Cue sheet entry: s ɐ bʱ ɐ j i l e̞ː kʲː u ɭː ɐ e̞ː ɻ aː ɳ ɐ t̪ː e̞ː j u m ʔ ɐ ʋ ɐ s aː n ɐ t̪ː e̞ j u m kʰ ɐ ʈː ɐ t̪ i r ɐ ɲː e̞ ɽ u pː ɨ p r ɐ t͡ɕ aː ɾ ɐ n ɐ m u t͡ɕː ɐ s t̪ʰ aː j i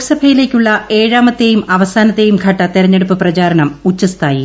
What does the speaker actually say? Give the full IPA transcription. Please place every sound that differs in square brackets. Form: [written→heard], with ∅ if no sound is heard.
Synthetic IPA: s ɐ bʱ ɐ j i l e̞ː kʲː u ɭː ɐ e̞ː ɻ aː [ɳ→m] ɐ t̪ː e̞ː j u m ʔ ɐ ʋ ɐ s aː n ɐ t̪ː e̞ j u m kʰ ɐ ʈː ɐ t̪ i [r→ɾ] ɐ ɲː e̞ ɽ u pː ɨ p r ɐ t͡ɕ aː ɾ ɐ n ɐ m u t͡ɕː ɐ s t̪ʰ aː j i

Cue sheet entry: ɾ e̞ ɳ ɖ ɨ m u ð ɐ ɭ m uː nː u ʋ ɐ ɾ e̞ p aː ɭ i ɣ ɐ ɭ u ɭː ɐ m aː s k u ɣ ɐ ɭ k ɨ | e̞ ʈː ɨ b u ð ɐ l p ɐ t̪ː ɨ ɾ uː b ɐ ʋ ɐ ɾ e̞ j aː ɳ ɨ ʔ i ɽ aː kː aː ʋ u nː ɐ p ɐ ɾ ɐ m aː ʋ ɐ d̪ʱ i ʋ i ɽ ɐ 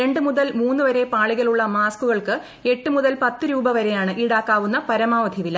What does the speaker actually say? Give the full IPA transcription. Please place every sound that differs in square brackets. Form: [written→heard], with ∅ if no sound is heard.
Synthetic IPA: ɾ e̞ ɳ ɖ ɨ m u ð ɐ [ɭ→l] m uː nː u ʋ ɐ ɾ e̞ p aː ɭ i ɣ ɐ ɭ u ɭː ɐ m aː s k u ɣ ɐ ɭ k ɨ | e̞ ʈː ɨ [b→m] u ð ɐ l p ɐ t̪ː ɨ ɾ uː b ɐ ʋ ɐ ɾ e̞ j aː ɳ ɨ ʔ i ɽ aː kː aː ʋ u nː ɐ p ɐ ɾ ɐ m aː ʋ ɐ d̪ʱ i ʋ i [ɽ→l] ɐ

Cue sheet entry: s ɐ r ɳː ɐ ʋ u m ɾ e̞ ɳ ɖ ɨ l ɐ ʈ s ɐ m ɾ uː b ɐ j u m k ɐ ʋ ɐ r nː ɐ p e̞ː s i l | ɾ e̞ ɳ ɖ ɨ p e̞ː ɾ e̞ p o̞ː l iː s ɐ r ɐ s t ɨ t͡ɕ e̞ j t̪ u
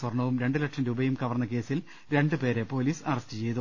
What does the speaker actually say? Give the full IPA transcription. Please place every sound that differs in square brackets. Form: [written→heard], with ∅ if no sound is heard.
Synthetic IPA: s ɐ r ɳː ɐ ʋ u m ɾ e̞ ɳ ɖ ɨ l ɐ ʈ [s→ʂ] ɐ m ɾ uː b ɐ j u m k ɐ ʋ ɐ r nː ɐ [p→k] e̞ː s i l | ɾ e̞ ɳ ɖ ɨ p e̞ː ɾ e̞ p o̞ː l iː s ɐ r ɐ s t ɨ t͡ɕ e̞ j t̪ u

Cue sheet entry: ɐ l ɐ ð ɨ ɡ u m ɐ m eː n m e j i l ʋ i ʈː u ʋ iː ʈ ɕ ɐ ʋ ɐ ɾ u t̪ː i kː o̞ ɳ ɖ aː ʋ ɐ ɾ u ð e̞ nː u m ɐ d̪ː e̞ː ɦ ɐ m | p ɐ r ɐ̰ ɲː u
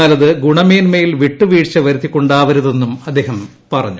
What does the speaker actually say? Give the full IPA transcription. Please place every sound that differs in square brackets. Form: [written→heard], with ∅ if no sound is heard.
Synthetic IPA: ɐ l ɐ ð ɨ ɡ u [m→ɳ] ɐ m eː n m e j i l ʋ i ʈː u ʋ iː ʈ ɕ ɐ ʋ ɐ ɾ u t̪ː i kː o̞ ɳ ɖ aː ʋ ɐ ɾ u ð e̞ nː u m ɐ d̪ː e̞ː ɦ ɐ m | p ɐ r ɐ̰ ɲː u

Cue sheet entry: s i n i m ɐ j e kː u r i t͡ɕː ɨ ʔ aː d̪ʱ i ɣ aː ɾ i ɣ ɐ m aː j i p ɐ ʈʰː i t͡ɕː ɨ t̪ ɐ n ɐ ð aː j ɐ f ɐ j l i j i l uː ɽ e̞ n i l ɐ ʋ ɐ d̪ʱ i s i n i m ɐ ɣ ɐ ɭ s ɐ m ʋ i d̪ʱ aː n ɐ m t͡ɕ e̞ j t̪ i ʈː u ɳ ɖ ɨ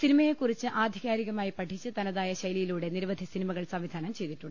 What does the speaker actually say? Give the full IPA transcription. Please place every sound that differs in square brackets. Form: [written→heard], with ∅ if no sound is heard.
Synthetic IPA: s i n i m ɐ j e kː u r i t͡ɕː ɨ ʔ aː d̪ʱ i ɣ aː ɾ i ɣ ɐ m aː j i p ɐ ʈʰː i t͡ɕː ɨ t̪ ɐ n ɐ ð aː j ɐ [f→ɕ] ɐ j l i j i l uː ɽ e̞ n i [l→ɾ] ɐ ʋ ɐ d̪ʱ i s i n i m ɐ ɣ ɐ ɭ s ɐ m ʋ i d̪ʱ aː n ɐ m t͡ɕ e̞ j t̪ i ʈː u ɳ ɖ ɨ

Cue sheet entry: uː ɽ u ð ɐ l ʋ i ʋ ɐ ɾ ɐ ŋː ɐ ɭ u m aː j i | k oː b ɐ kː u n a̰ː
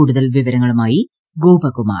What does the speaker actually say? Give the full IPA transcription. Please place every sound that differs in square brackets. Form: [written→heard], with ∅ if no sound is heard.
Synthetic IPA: uː ɽ u ð ɐ l ʋ i ʋ ɐ ɾ ɐ ŋː ɐ ɭ u m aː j i | [k→ɡ] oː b ɐ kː u [n→m] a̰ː

